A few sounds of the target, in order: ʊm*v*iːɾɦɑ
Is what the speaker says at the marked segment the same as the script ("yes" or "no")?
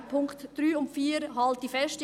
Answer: no